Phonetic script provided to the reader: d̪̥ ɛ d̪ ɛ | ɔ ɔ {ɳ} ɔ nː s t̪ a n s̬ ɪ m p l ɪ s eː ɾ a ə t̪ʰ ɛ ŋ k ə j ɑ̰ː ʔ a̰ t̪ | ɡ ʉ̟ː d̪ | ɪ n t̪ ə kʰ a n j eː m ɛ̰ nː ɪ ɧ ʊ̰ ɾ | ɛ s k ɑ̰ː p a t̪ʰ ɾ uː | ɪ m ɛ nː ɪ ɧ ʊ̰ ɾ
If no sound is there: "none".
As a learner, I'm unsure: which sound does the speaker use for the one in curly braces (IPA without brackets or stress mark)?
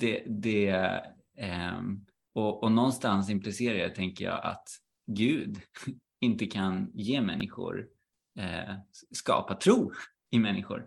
n